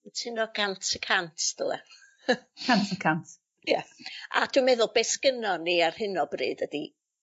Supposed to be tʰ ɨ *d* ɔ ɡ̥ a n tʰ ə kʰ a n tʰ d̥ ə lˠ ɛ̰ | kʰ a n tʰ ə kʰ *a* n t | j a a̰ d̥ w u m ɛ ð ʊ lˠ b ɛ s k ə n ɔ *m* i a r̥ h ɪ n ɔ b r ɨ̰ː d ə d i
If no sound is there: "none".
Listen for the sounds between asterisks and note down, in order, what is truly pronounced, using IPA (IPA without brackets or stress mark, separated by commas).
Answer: n, a, n